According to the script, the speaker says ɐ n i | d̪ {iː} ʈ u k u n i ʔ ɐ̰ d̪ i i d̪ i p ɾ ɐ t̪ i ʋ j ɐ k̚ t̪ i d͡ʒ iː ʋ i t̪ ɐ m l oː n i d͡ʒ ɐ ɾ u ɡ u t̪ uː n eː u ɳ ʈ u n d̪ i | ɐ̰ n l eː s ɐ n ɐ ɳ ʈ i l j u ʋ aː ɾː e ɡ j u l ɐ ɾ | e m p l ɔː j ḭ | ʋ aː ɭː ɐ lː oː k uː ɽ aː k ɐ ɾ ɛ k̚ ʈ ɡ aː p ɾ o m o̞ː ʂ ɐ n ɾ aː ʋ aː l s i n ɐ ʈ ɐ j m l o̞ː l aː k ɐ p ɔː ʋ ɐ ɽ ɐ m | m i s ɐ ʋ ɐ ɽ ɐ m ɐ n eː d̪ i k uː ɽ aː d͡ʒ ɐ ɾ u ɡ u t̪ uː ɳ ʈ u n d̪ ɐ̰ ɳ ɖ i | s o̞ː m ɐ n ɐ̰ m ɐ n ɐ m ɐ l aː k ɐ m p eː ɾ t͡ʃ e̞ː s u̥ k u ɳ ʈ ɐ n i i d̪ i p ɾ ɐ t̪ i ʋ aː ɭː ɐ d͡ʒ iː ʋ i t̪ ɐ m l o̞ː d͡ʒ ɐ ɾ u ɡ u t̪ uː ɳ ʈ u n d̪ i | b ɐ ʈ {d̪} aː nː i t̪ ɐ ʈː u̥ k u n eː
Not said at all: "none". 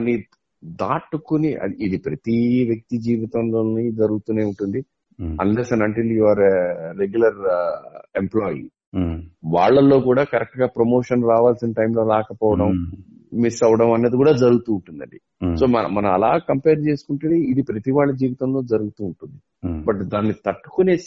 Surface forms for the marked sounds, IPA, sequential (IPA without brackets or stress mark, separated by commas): aː, d̪